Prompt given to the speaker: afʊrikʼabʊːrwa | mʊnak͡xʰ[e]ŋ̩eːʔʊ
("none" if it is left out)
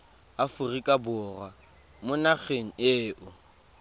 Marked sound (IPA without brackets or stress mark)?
e